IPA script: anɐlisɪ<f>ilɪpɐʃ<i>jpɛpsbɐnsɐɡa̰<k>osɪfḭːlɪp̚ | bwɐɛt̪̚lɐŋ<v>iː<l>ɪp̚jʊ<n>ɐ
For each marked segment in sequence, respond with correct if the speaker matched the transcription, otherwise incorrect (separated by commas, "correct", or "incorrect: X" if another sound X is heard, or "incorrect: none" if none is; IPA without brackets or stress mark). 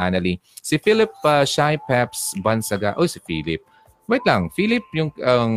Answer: correct, incorrect: a, incorrect: ʔ, incorrect: f, correct, incorrect: ŋ